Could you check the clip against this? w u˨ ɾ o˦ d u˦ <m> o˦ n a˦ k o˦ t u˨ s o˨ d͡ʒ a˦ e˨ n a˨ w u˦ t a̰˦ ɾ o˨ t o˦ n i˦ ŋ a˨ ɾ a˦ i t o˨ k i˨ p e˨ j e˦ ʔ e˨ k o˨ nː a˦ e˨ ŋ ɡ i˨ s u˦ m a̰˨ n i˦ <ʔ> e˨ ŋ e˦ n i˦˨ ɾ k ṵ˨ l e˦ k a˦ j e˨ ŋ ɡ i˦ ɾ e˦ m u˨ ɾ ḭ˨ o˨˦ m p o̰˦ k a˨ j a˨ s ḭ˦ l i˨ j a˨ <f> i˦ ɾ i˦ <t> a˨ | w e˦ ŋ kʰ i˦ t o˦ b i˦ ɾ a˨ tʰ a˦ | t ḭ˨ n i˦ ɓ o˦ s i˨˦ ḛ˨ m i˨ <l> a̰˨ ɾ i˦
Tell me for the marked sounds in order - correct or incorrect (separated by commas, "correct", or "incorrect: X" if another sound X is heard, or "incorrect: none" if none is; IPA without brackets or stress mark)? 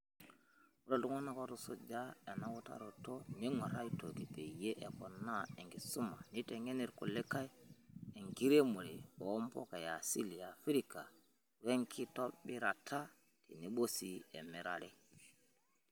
incorrect: ŋ, incorrect: t, correct, incorrect: k, incorrect: ɾ